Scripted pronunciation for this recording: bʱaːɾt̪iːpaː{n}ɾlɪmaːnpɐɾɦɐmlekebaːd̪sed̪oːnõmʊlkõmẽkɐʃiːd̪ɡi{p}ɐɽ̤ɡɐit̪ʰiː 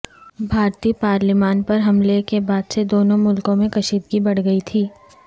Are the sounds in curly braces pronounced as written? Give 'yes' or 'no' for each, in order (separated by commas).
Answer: no, no